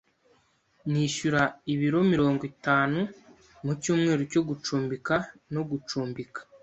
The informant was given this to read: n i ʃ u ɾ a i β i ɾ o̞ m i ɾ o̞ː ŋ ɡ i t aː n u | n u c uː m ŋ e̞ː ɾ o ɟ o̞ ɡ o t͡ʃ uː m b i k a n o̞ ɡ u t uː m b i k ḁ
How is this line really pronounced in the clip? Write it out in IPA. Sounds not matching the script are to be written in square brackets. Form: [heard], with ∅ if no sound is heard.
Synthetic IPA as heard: n i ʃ u ɾ a i β i ɾ o̞ m i ɾ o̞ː ŋ ɡ i t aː n u | [m] u c uː m ŋ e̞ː ɾ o [c] o̞ ɡ [u] t͡ʃ uː m b i k a n o̞ ɡ u [t͡ʃ] uː m b i k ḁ